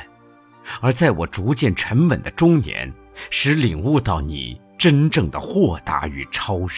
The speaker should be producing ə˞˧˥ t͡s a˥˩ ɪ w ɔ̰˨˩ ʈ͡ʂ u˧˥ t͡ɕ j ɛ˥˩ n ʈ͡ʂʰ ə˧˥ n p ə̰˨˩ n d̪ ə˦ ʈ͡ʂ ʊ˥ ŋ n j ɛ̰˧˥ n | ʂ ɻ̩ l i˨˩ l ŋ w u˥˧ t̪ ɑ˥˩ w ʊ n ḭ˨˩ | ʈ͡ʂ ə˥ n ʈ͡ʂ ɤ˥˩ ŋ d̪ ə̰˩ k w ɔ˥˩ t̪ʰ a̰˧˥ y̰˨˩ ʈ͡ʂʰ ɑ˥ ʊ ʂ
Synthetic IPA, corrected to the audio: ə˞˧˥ t͡s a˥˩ ɪ w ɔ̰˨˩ ʈ͡ʂ u˧˥ t͡ɕ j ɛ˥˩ n ʈ͡ʂʰ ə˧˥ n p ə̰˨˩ n d̪ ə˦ ʈ͡ʂ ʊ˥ ŋ n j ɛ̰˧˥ n | ʂ ɻ̩ l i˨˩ ŋ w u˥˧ t̪ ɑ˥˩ ʊ n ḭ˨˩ | ʈ͡ʂ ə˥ n ʈ͡ʂ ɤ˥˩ ŋ d̪ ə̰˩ x w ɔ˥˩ t̪ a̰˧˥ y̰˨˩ ʈ͡ʂʰ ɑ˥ ʊ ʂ